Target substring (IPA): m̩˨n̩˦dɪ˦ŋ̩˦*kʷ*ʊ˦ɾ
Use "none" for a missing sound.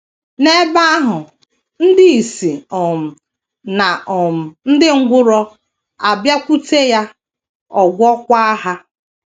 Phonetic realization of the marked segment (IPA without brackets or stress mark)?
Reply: ɡʷ